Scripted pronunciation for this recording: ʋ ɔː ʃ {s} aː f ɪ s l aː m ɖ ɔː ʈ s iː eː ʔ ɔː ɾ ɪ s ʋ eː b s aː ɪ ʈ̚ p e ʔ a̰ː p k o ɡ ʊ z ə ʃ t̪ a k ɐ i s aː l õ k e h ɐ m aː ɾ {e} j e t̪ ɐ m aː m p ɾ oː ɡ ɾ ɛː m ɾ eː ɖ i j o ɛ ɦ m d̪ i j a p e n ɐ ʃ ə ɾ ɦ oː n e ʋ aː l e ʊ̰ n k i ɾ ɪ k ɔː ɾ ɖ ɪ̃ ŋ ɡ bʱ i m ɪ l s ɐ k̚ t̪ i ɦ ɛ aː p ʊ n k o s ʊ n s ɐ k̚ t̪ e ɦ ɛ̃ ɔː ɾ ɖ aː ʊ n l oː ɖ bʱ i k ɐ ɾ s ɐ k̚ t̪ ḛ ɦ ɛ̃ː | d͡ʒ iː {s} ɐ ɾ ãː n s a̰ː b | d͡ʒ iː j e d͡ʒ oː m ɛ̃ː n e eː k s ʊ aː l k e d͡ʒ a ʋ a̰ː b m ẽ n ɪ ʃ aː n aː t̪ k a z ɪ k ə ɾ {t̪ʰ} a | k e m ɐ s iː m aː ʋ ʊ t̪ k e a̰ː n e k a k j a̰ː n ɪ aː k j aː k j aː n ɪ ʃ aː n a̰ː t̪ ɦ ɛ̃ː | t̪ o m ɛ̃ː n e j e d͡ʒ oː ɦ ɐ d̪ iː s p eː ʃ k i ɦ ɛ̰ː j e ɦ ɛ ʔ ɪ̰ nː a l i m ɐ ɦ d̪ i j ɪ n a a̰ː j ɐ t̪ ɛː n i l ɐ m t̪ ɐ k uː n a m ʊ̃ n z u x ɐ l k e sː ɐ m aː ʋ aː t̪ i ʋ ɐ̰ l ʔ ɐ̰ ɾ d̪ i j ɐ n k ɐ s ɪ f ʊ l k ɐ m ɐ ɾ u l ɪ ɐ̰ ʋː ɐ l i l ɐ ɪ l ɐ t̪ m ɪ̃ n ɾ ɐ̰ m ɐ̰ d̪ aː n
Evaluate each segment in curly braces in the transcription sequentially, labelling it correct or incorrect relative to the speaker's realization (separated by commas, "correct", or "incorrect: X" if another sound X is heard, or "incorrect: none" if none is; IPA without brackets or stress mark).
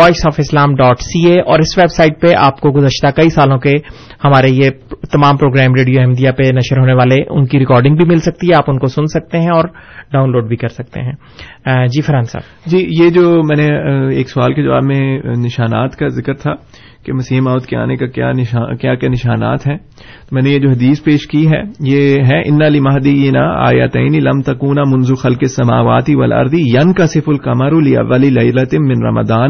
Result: correct, correct, incorrect: f, correct